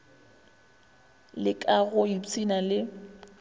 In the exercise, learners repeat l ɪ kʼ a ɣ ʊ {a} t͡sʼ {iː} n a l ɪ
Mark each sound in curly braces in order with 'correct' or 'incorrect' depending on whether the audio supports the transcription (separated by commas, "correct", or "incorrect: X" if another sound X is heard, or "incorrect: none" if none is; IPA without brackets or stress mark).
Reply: incorrect: i, incorrect: i